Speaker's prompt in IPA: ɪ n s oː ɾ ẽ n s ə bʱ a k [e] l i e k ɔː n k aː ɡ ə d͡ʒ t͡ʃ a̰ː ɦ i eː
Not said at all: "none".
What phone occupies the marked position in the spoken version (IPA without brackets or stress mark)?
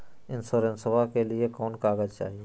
e